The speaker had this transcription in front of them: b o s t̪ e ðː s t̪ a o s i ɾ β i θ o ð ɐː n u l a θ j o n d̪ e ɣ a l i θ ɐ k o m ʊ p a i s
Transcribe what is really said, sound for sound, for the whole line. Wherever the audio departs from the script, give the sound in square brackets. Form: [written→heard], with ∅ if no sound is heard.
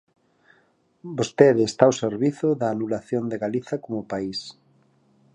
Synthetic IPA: b o s t̪ e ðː s t̪ a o s [i→e] ɾ β i θ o ð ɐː n u l a θ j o n d̪ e ɣ a l i θ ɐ k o m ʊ p a i s